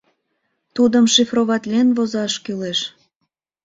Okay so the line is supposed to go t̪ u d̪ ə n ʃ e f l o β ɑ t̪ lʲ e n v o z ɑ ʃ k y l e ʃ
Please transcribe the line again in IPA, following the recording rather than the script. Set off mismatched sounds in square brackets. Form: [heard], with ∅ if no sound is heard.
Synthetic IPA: t̪ u d̪ ə [m] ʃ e f [r] o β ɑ t̪ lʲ e n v o z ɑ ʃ k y l e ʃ